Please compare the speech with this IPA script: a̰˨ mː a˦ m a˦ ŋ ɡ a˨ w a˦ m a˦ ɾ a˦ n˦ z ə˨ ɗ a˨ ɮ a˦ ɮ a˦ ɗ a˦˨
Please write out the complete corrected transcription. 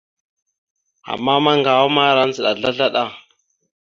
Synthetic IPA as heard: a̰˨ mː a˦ m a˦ ŋ ɡ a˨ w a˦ m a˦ ɾ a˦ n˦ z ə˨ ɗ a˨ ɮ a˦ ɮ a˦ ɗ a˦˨